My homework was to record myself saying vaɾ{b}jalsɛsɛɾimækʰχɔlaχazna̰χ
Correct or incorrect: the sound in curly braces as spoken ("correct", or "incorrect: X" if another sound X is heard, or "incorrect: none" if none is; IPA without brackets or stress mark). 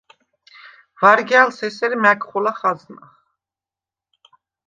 incorrect: ɡ